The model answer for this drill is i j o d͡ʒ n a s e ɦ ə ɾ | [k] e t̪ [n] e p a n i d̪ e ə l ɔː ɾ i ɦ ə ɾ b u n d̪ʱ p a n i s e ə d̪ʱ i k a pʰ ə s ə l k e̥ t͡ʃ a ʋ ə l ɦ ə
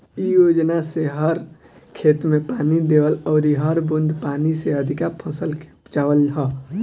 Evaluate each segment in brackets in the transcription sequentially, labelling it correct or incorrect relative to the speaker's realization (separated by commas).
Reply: incorrect, incorrect